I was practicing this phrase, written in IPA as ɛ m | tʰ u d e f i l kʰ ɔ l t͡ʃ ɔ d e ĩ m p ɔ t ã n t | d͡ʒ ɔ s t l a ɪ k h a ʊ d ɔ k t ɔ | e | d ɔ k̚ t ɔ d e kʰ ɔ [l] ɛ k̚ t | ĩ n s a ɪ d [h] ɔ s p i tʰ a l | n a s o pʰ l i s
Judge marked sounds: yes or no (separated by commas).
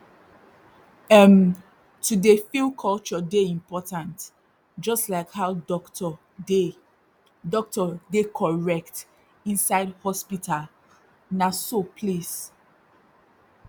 no, yes